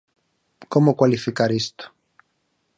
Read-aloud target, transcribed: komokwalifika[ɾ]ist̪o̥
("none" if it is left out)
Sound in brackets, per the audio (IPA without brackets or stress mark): ɾ